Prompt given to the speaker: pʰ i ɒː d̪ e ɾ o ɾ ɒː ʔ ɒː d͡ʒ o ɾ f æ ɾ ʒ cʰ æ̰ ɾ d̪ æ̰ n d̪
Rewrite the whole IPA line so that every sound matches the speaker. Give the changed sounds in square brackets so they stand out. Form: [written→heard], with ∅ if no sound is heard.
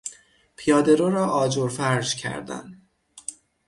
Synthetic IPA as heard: pʰ i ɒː d̪ e ɾ o ɾ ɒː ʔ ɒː d͡ʒ o ɾ f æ ɾ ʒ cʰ æ̰ ɾ d̪ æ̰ n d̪